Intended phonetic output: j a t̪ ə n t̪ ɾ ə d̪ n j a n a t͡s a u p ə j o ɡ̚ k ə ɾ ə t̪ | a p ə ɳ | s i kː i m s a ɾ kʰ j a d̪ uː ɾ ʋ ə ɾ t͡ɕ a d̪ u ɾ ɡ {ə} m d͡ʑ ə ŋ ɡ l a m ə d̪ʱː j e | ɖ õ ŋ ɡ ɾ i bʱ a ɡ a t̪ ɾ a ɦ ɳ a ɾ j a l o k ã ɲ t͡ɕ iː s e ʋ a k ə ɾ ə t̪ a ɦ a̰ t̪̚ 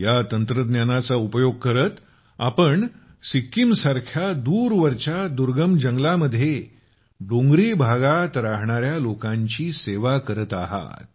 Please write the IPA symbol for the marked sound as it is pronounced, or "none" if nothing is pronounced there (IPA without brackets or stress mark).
ə